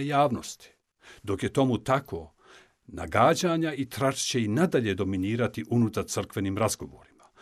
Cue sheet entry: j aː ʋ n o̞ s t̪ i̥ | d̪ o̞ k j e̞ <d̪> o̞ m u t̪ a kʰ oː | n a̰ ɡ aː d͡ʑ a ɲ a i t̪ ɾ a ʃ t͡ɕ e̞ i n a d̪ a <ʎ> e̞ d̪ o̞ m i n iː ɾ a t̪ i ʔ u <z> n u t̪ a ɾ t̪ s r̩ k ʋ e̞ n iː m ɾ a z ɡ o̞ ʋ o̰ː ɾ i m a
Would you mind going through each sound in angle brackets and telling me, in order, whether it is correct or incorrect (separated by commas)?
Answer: incorrect, correct, incorrect